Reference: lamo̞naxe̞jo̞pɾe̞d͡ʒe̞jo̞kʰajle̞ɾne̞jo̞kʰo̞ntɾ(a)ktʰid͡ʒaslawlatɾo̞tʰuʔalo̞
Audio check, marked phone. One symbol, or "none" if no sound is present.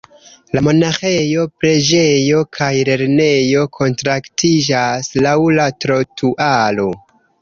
a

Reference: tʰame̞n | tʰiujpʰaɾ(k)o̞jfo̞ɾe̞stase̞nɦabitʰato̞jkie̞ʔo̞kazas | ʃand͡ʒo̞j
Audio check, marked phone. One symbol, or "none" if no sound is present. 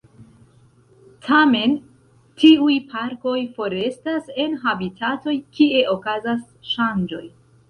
k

